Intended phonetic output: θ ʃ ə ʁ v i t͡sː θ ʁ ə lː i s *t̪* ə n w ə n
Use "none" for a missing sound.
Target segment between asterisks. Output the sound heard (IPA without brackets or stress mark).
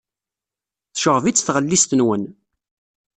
t̪